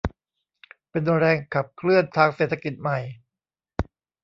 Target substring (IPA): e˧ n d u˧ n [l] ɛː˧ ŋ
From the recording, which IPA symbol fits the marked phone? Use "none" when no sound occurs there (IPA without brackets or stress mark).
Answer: ɾ